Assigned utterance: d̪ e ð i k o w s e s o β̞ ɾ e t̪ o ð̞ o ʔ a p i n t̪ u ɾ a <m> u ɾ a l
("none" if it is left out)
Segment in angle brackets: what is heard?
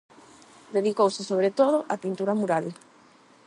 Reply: m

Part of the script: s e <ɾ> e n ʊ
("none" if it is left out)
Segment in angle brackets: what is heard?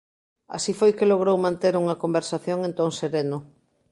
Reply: ɾ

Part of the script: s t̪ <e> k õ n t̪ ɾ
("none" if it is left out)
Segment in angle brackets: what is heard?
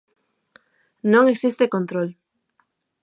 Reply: e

